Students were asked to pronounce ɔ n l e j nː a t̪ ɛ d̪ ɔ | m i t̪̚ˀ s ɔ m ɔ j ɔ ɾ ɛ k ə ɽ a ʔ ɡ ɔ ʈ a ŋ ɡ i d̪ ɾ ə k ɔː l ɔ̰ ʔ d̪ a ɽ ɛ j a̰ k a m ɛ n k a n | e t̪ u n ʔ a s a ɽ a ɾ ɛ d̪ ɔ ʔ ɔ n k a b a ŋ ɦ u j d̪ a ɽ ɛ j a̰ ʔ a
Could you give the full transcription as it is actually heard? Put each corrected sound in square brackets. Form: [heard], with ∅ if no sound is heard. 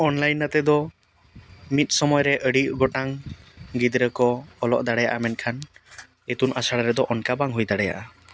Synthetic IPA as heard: ɔ n l [a] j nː a t̪ ɛ d̪ ɔ | m i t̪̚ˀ s ɔ m ɔ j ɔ ɾ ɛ [ʔ] ə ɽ [i] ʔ ɡ ɔ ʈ a ŋ ɡ i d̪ ɾ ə k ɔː l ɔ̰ ʔ d̪ a ɽ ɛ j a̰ [ʔ] a m ɛ n [kʰ] a n | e t̪ u n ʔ a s a ɽ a ɾ ɛ d̪ ɔ ʔ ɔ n k a b a ŋ ɦ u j d̪ a ɽ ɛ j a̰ ʔ a